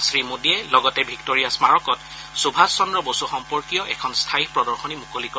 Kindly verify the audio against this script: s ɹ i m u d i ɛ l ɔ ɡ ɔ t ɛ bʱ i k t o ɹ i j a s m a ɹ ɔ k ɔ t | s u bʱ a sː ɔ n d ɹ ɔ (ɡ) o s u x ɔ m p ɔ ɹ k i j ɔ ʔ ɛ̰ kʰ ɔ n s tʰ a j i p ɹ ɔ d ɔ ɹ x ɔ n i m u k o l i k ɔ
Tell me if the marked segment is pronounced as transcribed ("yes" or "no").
no